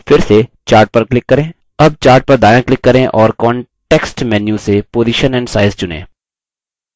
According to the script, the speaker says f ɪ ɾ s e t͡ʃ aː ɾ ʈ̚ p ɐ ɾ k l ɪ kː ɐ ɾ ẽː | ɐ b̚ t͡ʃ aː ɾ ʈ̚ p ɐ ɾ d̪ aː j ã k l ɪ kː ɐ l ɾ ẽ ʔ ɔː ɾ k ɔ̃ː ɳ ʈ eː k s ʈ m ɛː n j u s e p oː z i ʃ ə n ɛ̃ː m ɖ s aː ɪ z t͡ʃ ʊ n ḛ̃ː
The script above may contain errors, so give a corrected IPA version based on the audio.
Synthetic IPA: f ɪ ɾ s e t͡ʃ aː ɾ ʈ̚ p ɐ ɾ k l ɪ kː ɐ ɾ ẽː | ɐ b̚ t͡ʃ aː ɾ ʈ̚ p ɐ ɾ d̪ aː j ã k l ɪ kː ɐ ɾ ẽ ʔ ɔː ɾ k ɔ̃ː ɳ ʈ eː k s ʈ m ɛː n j u s e p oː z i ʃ ə n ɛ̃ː ɳ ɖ s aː ɪ z t͡ʃ ʊ n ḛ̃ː